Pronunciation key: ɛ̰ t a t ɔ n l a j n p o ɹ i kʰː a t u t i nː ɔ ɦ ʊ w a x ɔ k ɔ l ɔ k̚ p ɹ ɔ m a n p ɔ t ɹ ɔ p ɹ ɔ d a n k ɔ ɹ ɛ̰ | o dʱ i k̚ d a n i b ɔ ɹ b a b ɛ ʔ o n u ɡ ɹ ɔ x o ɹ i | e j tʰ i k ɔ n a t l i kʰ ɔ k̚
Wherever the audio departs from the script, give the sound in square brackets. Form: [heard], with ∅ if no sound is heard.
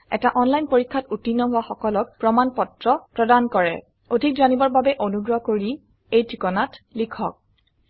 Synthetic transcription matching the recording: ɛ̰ t a [ʔ] ɔ n l a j n p o ɹ i kʰː a t u t i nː ɔ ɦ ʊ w a x ɔ k ɔ l ɔ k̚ p ɹ ɔ m a n p ɔ t ɹ ɔ p ɹ ɔ d a n k ɔ ɹ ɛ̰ | o dʱ i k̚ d a n i b ɔ ɹ b a b ɛ ʔ o n u ɡ ɹ ɔ [k] o ɹ i | e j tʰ i k ɔ n a t l i kʰ ɔ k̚